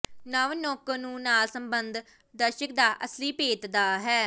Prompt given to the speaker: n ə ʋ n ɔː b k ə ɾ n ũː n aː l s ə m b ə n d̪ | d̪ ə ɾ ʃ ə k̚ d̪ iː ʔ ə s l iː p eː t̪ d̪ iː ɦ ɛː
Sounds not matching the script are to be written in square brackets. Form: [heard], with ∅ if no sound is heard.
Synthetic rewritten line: n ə ʋ n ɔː [∅] k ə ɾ n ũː n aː l s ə m b ə n d̪ | d̪ ə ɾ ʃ ə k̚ d̪ [aː] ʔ ə s l iː p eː t̪ d̪ [aː] ɦ ɛː